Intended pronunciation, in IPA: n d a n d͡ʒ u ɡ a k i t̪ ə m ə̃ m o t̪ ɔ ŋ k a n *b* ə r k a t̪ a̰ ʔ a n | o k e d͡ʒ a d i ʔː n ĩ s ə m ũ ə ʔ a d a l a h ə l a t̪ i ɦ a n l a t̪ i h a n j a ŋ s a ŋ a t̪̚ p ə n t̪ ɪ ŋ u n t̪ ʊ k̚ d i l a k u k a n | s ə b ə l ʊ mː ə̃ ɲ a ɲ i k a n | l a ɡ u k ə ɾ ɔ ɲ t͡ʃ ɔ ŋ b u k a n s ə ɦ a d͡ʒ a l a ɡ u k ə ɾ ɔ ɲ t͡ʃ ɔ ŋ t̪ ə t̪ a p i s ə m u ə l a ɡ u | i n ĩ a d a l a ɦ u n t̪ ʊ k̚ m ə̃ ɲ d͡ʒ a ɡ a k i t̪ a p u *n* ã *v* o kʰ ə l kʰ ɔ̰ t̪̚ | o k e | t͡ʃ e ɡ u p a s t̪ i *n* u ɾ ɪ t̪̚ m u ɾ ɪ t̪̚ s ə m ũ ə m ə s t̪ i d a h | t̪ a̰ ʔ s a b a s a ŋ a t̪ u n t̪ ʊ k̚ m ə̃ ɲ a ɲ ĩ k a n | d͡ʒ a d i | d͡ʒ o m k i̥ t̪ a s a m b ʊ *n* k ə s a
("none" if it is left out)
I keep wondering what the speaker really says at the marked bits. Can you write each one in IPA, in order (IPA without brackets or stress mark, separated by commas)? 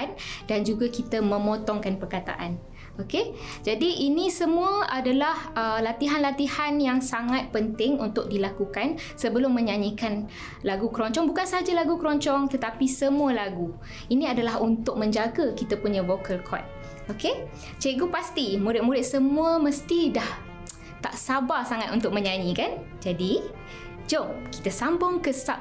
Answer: p, ɲ, v, m, ŋ